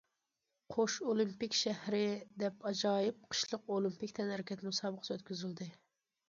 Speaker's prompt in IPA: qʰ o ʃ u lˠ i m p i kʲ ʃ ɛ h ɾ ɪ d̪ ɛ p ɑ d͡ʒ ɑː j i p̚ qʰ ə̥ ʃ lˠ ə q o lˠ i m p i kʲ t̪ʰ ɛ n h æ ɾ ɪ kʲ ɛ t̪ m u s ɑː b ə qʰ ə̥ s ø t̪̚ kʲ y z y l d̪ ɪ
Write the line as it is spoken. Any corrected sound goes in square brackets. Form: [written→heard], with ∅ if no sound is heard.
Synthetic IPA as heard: qʰ o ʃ [u→o] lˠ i m p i kʲ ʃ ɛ h ɾ ɪ d̪ ɛ p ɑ d͡ʒ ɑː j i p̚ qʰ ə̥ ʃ lˠ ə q o lˠ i m p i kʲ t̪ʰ ɛ n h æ ɾ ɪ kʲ ɛ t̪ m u s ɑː b ə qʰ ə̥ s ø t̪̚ kʲ y z y l d̪ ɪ